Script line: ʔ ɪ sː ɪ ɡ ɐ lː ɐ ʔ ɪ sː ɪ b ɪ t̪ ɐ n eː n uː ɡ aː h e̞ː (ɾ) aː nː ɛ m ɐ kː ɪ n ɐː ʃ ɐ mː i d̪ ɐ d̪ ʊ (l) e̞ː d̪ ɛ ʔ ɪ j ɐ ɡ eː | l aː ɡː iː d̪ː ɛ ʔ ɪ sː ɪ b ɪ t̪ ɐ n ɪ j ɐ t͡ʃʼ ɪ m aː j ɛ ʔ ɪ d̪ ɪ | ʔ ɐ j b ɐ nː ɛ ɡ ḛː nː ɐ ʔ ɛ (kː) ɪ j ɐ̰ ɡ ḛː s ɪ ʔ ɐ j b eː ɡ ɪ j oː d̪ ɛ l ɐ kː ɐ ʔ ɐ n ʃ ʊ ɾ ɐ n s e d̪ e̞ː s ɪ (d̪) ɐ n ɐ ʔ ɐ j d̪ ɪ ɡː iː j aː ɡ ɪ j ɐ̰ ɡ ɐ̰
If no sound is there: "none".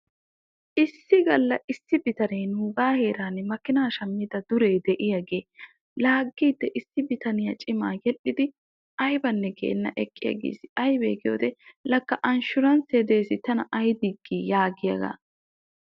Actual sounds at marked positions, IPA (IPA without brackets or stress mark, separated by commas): ɾ, ɾ, kʼː, t̪